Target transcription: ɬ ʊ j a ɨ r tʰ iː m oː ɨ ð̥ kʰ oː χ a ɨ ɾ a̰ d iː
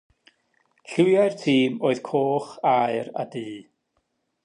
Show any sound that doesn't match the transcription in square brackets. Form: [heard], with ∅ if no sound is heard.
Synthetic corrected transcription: ɬ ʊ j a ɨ r tʰ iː m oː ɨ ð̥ kʰ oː χ a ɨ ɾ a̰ d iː